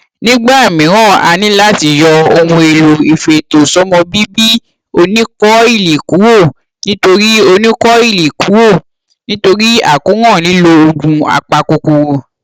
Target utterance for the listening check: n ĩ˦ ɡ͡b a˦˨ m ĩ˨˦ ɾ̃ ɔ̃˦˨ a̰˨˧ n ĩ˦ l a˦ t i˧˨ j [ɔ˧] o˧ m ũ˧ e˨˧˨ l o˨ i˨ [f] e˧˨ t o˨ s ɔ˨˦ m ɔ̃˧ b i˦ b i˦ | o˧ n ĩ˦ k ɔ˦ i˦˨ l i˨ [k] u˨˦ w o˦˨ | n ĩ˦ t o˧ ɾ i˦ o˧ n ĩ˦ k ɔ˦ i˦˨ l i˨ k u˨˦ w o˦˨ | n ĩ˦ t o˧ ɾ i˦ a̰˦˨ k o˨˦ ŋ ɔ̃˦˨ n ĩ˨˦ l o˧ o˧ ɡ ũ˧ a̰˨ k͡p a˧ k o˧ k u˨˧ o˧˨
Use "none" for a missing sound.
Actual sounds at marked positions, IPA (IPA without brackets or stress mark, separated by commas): ɔ˧, f, k